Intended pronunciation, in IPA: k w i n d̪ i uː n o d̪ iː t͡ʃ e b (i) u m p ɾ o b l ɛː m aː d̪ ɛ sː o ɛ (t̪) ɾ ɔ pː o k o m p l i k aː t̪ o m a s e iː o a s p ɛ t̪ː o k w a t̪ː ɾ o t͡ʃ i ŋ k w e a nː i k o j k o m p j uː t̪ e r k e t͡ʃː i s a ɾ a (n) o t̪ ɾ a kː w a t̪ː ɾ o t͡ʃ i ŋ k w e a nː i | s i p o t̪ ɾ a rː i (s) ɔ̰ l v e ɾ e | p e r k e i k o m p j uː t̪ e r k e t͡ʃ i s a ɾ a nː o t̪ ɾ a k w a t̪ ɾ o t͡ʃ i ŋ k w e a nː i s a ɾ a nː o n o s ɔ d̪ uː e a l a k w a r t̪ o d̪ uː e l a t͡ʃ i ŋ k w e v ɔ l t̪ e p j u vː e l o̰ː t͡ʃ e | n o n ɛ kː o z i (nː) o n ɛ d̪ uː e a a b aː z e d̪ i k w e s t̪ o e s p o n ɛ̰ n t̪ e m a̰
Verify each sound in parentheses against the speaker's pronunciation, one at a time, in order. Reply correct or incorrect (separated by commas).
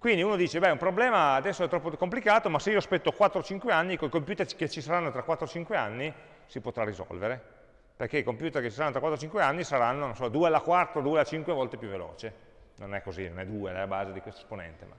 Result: incorrect, correct, incorrect, incorrect, incorrect